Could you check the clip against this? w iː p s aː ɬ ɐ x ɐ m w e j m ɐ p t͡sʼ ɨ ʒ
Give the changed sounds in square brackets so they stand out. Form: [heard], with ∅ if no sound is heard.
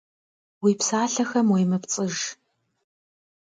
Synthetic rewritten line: w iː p s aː ɬ ɐ x ɐ m w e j m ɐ p t͡sʼ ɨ ʒ